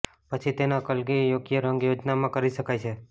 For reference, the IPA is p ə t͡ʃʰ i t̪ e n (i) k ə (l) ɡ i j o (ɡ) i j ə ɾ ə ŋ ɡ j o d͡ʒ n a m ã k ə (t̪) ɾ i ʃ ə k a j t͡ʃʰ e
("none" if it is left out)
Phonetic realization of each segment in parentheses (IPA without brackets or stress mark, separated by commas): a, l, ɡ, none